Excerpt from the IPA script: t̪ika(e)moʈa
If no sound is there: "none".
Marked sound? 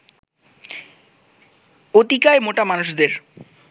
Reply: e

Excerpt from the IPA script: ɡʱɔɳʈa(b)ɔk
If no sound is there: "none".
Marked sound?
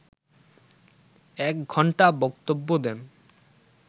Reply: b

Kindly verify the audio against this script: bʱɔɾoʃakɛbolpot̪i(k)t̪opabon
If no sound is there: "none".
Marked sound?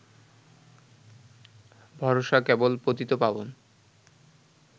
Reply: none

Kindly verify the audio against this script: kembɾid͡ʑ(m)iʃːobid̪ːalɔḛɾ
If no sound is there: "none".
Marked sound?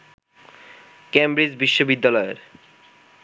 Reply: b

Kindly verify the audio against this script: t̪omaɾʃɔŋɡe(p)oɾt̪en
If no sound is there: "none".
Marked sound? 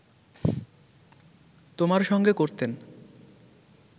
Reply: k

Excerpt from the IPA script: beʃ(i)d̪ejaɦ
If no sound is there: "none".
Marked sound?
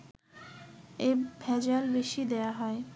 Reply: i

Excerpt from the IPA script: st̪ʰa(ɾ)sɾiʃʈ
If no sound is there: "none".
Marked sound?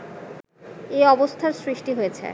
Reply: ɾ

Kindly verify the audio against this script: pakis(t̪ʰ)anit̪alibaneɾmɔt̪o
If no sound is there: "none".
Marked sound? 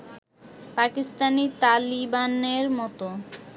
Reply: t̪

